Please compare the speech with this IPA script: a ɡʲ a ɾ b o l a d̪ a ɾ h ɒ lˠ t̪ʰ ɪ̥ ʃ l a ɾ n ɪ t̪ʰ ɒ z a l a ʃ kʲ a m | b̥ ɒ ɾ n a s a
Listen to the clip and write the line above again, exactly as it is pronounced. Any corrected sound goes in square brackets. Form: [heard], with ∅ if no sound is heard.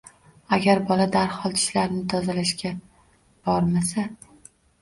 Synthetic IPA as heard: a ɡʲ a ɾ b [ɒ] l a d̪ a ɾ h ɒ lˠ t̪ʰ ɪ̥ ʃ l a ɾ n ɪ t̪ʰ ɒ z a l a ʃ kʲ a [∅] | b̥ ɒ ɾ [m] a s a